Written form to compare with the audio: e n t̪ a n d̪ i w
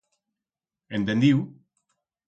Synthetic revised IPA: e n t̪ e n d̪ i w